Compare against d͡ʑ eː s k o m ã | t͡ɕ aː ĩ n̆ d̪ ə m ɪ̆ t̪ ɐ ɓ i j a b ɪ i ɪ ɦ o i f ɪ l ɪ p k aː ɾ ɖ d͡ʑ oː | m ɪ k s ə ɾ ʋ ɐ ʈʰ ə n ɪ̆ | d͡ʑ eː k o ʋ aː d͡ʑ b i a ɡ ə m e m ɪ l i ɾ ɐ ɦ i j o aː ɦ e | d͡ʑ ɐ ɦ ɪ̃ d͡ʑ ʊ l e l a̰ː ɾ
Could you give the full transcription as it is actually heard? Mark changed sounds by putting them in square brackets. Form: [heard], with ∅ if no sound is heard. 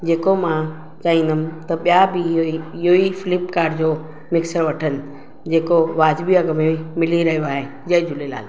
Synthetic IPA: d͡ʑ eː [∅] k o m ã | t͡ɕ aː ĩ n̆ d̪ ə m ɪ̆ t̪ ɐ ɓ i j a b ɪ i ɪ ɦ o i f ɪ l ɪ p k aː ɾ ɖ d͡ʑ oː | m ɪ k s ə ɾ ʋ ɐ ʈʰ ə n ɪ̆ | d͡ʑ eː k o ʋ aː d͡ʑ b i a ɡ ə m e m ɪ l i ɾ ɐ ɦ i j o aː ɦ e | d͡ʑ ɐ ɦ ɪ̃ d͡ʑ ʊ l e l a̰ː [l]

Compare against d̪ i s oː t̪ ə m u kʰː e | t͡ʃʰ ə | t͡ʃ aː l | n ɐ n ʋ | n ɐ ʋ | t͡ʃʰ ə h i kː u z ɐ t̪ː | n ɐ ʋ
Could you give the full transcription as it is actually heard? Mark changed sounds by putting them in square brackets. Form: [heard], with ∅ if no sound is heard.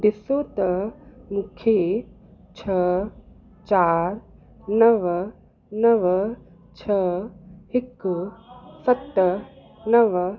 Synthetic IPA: d̪ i s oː t̪ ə m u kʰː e | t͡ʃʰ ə | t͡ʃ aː [ɾ] | n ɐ [∅] ʋ | n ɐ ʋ | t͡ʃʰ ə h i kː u [s] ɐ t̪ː | n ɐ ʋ

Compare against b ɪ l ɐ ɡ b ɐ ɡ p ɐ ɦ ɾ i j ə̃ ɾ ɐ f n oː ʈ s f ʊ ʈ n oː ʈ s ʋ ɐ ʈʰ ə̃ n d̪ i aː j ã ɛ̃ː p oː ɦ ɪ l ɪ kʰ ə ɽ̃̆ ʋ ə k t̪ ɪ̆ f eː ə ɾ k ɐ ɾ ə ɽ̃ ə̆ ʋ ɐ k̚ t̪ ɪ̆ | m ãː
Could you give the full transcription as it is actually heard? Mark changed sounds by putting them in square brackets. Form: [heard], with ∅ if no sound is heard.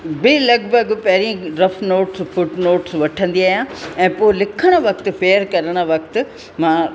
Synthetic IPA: b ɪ l ɐ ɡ b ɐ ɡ p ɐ ɦ ɾ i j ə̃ ɾ ɐ f n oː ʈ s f ʊ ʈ n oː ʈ s ʋ ɐ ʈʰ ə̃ n d̪ i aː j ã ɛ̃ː p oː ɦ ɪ l ɪ kʰ ə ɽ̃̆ ʋ [ɐ] k t̪ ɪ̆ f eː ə ɾ k ɐ ɾ ə ɽ̃ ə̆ ʋ ɐ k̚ t̪ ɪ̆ | m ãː

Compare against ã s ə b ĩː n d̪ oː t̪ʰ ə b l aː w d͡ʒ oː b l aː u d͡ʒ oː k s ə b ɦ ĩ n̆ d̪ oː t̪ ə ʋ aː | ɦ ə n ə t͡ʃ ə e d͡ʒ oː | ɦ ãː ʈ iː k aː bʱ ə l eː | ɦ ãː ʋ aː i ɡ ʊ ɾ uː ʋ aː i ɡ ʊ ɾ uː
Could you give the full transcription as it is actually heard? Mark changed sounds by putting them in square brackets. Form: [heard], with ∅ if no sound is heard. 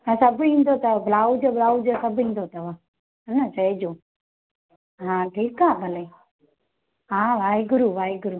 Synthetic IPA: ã s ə b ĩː n d̪ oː [t̪] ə b l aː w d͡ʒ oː b l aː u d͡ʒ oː [∅] s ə b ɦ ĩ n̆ d̪ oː t̪ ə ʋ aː | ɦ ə n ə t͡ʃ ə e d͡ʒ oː | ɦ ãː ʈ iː k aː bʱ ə l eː | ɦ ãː ʋ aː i ɡ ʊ ɾ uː ʋ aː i ɡ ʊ ɾ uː

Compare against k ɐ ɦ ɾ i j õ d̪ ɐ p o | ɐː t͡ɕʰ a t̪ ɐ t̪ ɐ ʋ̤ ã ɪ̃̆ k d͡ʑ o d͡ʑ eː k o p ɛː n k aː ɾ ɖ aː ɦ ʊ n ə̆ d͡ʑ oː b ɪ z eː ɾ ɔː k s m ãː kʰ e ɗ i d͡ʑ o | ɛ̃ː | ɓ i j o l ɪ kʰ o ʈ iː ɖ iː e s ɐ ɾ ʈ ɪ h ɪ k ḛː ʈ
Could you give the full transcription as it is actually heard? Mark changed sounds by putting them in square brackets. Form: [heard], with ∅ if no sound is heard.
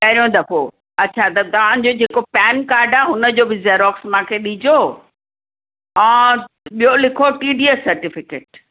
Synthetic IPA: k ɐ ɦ ɾ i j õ d̪ ɐ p o | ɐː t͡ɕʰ a t̪ ɐ t̪ ɐ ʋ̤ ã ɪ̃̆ [∅] d͡ʑ o d͡ʑ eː k o p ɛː n k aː ɾ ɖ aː ɦ ʊ n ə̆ d͡ʑ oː b ɪ z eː ɾ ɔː k s m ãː kʰ e ɗ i d͡ʑ o | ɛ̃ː | ɓ i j o l ɪ kʰ o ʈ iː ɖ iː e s ɐ ɾ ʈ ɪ [f] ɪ k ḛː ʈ

